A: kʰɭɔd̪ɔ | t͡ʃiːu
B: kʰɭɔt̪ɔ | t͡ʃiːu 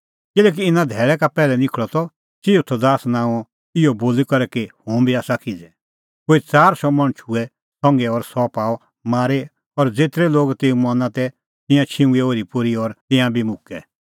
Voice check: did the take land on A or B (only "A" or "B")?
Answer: B